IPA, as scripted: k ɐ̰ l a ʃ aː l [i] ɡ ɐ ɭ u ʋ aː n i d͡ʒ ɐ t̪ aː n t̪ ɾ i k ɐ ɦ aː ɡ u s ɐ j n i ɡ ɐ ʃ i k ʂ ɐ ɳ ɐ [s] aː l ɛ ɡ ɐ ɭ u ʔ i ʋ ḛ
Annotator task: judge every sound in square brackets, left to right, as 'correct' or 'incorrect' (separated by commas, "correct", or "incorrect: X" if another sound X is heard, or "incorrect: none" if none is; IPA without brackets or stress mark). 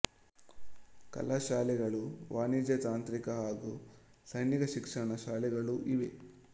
incorrect: ɛ, incorrect: ʃ